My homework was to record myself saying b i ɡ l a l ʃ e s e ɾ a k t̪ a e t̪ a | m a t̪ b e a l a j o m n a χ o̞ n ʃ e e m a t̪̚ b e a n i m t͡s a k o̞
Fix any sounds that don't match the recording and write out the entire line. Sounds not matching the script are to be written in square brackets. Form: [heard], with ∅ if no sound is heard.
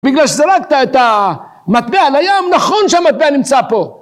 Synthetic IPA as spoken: b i ɡ l a l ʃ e [z] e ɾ a k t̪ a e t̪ a | m a t̪ b e a l a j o m n a χ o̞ n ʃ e [a] m a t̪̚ b e a n i m t͡s a [p] o̞

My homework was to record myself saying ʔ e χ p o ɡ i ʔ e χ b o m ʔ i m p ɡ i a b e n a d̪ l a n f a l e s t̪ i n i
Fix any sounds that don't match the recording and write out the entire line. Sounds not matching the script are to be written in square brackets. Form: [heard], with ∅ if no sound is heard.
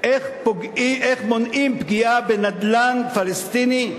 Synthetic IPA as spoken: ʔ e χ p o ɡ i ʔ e χ [m] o [n] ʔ i m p ɡ i a b e n a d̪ l a n f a l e s t̪ i n i

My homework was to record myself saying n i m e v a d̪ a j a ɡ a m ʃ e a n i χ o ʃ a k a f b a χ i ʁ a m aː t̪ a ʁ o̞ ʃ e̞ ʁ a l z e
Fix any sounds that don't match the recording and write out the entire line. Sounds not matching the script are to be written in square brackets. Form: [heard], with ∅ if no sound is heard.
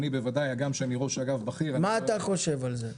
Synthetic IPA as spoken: n i [b] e v a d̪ a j a ɡ a m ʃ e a n i [ʁ] o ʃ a [ɡ] a [v] b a χ i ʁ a m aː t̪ a [χ] o̞ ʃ e̞ [v] a l z e

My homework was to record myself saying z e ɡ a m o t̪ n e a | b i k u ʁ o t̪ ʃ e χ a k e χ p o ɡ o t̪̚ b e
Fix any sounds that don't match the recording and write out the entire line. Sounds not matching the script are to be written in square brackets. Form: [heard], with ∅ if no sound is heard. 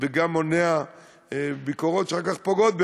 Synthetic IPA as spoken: [v] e ɡ a m o [∅] n e a | b i k [o] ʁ o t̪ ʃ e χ a k [a] χ p o ɡ o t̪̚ b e

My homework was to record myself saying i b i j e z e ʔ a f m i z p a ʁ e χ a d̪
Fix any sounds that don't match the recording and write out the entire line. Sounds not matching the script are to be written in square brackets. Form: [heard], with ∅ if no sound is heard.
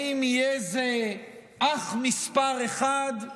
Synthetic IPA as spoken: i [m] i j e z e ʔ a [χ] m i [s] p a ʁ e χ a d̪

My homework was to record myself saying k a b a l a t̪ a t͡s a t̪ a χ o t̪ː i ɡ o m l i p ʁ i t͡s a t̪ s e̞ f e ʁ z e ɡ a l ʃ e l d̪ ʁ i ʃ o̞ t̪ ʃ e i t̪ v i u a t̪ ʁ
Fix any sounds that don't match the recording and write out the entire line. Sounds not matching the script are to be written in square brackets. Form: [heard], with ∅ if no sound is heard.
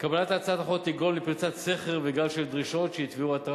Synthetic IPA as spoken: k a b a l a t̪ a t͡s a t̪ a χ o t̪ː i ɡ o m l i p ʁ i t͡s a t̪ s e̞ [χ] e ʁ [v] e ɡ a l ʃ e l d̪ ʁ i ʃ o̞ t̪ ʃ e i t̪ v i u a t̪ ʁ

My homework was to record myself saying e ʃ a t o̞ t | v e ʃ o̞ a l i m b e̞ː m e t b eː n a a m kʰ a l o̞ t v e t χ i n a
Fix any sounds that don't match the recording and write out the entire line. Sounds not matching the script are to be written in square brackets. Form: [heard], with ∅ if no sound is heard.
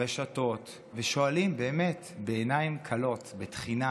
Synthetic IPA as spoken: e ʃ a t o̞ t | v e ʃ o̞ a l i m b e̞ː m e t b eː n a [i] m kʰ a l o̞ t [b] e t χ i n a

